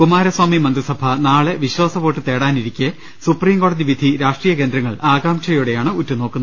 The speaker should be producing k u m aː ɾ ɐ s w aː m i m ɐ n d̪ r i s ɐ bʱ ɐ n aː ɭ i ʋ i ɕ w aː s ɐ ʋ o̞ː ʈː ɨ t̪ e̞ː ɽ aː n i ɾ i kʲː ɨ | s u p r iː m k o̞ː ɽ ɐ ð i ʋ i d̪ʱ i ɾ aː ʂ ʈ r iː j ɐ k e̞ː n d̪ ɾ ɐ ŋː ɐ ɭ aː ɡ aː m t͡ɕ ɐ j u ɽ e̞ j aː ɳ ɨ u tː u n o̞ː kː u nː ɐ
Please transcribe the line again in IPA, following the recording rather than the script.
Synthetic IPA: k u m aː ɾ ɐ s w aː m i m ɐ n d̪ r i s ɐ bʱ ɐ n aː ɭ e ʋ i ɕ w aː s ɐ ʋ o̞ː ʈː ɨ t̪ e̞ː ɽ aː n i ɾ i kʲː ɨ | s u p r iː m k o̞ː ɽ ɐ ð i ʋ i d̪ʱ i ɾ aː ʂ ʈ r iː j ɐ k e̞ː n d̪ ɾ ɐ ŋː ɐ ɭ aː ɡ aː m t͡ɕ ɐ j u ɽ e̞ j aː ɳ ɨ u tː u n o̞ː kː u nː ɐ